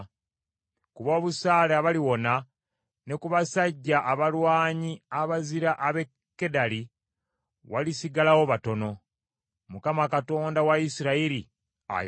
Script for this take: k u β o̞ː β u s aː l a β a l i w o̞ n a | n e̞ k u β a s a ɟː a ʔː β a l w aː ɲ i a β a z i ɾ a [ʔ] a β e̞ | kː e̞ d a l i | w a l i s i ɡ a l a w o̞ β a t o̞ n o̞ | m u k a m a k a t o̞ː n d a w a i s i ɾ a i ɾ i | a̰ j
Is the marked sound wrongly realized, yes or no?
no